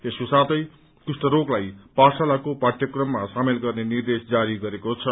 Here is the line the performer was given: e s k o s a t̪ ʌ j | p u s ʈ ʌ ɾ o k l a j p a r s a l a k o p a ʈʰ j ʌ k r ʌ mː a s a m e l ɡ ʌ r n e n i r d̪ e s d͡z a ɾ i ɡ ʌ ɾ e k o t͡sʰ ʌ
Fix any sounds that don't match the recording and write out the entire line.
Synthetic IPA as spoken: e s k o s a t̪ ʌ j | k u s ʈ ʌ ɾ o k l a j p a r s a l a k o p a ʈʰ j ʌ k r ʌ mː a s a m e l ɡ ʌ r n e n i r d̪ e s d͡z a ɾ i ɡ ʌ ɾ e k o t͡sʰ ʌ

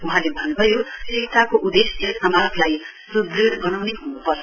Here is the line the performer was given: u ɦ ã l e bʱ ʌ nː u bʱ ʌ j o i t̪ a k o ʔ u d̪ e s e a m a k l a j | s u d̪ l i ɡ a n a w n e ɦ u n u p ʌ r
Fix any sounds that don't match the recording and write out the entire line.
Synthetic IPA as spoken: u ɦ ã l e bʱ ʌ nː u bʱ ʌ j o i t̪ a k o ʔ u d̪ e s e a m a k l a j | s u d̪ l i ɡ ʌ n a w n e ɦ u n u p ʌ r

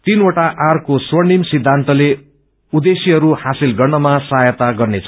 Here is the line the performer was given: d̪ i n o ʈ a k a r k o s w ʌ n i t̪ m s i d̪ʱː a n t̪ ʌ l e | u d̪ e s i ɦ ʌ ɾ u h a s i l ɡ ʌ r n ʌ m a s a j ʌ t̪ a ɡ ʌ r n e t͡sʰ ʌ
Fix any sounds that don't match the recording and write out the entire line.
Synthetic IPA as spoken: t̪ i n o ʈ a ʔ a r k o s w ʌ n i m s i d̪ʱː a n t̪ ʌ l e | u d̪ e s i ɦ ʌ ɾ u h a s i l ɡ ʌ r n ʌ m a s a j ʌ t̪ a ɡ ʌ r n e t͡sʰ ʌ

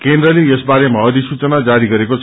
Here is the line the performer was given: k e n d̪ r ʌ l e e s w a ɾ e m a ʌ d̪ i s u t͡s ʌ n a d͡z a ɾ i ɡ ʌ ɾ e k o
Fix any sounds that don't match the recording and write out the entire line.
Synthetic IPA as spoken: k e n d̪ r ʌ l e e s b a ɾ e m a ʌ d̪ i s u t͡s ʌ n a d͡z a ɾ i ɡ ʌ ɾ e k o

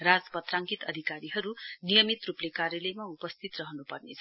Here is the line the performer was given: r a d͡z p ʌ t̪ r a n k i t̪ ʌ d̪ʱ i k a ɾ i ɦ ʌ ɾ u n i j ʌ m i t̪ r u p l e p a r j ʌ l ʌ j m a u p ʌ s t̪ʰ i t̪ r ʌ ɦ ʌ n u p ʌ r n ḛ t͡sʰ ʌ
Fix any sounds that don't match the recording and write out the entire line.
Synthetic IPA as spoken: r a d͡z p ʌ t̪ r a ŋ k i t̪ ʌ d̪ʱ i k a ɾ i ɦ ʌ ɾ u n i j ʌ m i t̪ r u p l e k a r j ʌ l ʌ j m a u p ʌ s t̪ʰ i t̪ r ʌ ɦ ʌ n u p ʌ r n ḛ t͡sʰ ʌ

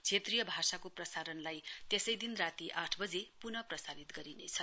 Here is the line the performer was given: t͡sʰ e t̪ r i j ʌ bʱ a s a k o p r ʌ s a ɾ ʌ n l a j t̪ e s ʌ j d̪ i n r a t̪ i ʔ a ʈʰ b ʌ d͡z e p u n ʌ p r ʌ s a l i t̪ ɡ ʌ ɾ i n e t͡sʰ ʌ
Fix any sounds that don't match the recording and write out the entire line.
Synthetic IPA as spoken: t͡sʰ e t̪ r i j ʌ bʱ a s a k o p r ʌ s a ɾ ʌ n l a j t̪ e s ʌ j d̪ i n r a t̪ i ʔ a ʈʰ b ʌ d͡z e p u n ʌ p r ʌ s a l i t̪ ɡ ʌ ɾ i n e t͡sʰ ʌ

